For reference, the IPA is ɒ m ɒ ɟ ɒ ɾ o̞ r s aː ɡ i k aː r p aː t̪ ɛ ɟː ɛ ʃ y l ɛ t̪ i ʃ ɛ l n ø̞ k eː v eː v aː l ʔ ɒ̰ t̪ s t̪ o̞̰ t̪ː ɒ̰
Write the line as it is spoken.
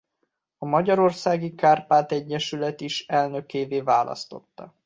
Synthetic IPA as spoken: ɒ m ɒ ɟ ɒ ɾ o̞ r s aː ɡ i k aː r p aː t̪ ɛ ɟː ɛ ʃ y l ɛ t̪ i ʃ ɛ l n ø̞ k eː v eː v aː l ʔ ɒ̰ s t̪ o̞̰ t̪ː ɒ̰